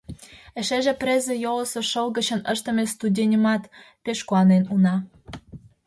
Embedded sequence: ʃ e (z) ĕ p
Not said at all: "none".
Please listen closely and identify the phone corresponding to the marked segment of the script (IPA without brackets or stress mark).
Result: ʒ